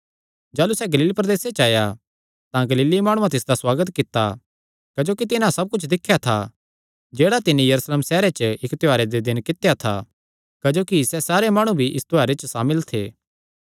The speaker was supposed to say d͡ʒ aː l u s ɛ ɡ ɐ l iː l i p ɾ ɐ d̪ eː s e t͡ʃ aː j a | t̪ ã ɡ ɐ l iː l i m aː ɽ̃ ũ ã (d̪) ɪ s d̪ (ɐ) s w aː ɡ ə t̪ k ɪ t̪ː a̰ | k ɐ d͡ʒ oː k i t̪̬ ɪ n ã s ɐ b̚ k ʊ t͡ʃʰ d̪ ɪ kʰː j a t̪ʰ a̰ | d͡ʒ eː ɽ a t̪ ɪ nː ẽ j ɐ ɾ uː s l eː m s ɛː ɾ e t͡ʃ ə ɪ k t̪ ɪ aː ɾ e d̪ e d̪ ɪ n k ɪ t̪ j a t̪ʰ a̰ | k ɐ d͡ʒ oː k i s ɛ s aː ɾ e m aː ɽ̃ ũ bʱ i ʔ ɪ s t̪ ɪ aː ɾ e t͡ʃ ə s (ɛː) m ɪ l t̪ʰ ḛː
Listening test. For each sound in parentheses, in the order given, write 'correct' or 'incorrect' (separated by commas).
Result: incorrect, incorrect, incorrect